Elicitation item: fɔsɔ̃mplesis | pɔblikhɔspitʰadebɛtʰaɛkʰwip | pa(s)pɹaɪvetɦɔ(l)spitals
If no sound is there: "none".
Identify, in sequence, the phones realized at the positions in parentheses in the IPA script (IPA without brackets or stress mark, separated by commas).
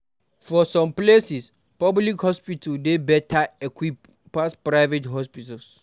s, none